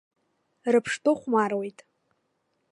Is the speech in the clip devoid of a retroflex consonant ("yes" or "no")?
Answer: no